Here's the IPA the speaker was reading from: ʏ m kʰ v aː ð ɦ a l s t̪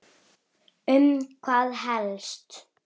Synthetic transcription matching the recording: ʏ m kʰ v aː ð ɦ ɛ l s t̪